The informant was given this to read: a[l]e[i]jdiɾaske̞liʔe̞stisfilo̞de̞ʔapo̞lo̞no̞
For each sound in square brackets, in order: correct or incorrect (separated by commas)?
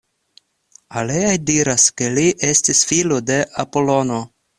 correct, incorrect